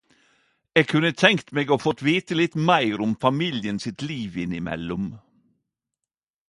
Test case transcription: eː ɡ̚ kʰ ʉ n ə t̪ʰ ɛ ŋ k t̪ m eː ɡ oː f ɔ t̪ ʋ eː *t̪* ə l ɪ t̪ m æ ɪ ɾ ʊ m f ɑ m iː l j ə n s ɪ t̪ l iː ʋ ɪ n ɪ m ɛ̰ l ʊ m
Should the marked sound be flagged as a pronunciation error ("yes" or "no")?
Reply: no